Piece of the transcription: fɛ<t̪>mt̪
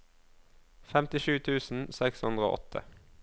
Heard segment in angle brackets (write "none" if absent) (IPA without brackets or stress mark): none